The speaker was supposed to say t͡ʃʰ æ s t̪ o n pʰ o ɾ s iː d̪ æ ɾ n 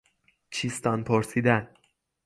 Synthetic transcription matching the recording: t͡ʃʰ i s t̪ ɒ n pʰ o ɾ s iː d̪ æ n

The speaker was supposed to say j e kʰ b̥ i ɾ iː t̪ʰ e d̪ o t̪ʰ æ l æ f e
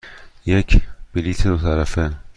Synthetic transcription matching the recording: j e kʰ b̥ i l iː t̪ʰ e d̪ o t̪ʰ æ ɾ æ f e

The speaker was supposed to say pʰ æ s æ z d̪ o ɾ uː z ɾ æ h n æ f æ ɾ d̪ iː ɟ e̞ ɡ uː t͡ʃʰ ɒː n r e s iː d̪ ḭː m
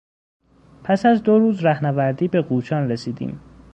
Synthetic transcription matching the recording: pʰ æ s æ z d̪ o ɾ uː z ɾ æ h n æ v æ ɾ d̪ iː b e̞ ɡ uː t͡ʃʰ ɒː n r e s iː d̪ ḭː m

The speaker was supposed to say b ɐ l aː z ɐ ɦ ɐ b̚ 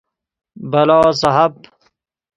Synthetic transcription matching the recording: b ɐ l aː s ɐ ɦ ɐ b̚

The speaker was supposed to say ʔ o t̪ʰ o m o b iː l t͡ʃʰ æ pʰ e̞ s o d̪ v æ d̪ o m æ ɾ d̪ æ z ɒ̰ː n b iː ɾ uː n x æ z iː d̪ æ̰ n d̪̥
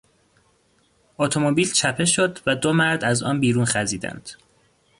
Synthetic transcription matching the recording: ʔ o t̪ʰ o m o b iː l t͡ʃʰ æ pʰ e̞ ʃ o d̪ v æ d̪ o m æ ɾ d̪ æ z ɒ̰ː n b iː ɾ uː n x æ z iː d̪ æ̰ n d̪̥

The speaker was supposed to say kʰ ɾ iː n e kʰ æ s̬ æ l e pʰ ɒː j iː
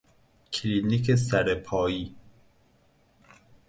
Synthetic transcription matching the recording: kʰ l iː n i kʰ e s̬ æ ɾ e pʰ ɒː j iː

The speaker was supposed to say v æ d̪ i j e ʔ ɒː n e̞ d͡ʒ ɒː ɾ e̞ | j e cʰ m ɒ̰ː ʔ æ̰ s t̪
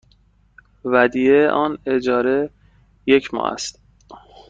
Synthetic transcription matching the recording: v æ d̪ i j e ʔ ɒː n e̞ d͡ʒ ɒː ɾ e̞ | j e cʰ m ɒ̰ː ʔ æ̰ s t̪

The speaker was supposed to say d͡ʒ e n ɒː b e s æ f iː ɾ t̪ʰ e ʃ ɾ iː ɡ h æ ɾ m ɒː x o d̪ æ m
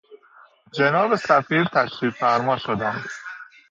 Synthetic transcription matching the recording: d͡ʒ e n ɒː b e s æ f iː ɾ t̪ʰ æ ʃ ɾ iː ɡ f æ ɾ m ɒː ʃ o d̪ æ m

